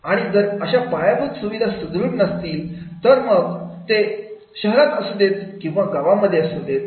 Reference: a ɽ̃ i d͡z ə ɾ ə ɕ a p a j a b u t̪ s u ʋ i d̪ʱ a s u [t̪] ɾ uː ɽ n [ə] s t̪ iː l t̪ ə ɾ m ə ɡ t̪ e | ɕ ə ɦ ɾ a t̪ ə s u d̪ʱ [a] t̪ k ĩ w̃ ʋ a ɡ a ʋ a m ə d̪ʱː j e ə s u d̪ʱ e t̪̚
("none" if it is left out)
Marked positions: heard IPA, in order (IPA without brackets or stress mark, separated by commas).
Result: d̪, ə, e